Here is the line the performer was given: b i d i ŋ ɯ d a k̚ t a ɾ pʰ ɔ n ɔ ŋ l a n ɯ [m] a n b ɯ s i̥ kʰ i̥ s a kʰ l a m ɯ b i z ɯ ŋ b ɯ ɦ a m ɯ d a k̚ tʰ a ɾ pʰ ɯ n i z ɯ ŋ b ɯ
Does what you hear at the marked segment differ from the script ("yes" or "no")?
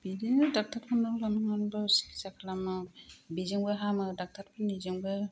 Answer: yes